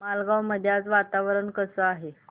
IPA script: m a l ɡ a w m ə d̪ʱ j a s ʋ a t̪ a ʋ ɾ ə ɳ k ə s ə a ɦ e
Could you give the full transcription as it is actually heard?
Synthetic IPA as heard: m a l ɡ a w m ə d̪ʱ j a t͡s ʋ a t̪ a ʋ ɾ ə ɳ k ə s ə a ɦ e